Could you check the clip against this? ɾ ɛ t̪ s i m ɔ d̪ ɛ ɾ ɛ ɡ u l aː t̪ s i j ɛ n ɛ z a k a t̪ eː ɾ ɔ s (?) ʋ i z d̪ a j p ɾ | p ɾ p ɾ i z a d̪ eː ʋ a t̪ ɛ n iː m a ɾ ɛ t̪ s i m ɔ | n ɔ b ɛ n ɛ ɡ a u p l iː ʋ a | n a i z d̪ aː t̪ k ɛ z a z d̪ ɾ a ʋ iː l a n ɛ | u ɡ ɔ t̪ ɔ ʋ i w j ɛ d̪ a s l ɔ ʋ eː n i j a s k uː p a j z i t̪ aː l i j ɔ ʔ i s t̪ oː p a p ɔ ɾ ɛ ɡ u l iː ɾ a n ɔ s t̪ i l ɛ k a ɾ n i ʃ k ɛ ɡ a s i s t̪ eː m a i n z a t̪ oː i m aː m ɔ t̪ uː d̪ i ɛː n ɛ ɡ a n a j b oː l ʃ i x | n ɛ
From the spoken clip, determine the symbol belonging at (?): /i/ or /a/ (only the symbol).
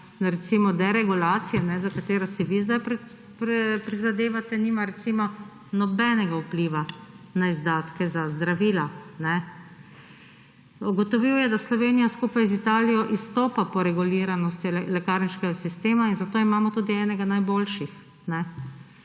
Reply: i